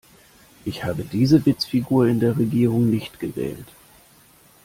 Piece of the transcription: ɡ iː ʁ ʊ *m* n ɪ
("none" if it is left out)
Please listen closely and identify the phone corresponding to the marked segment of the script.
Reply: ŋ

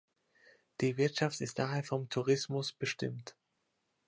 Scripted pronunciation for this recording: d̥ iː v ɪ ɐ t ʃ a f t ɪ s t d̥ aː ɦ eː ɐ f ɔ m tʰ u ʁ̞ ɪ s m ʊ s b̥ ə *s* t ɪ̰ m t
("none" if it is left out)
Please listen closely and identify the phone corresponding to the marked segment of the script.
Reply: ʃ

